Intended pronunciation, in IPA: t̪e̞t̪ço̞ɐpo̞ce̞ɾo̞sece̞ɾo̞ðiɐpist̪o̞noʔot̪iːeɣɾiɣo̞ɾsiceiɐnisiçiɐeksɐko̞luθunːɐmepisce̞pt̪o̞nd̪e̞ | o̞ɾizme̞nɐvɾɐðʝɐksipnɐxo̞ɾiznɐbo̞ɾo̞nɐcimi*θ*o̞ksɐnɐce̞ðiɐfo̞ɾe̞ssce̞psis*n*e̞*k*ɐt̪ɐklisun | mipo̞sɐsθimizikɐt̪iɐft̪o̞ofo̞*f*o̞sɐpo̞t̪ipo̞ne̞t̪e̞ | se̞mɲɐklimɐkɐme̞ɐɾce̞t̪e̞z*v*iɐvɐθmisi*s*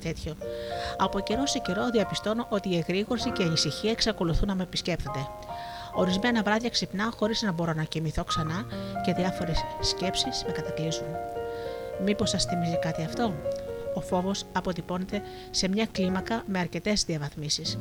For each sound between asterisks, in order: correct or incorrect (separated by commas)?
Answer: correct, incorrect, correct, incorrect, incorrect, correct